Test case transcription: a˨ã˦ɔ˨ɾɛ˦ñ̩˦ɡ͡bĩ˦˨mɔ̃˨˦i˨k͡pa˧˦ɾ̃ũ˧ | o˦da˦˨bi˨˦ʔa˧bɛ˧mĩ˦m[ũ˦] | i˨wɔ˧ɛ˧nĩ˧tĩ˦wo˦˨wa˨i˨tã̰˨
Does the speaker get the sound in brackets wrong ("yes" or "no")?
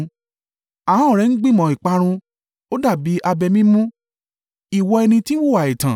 no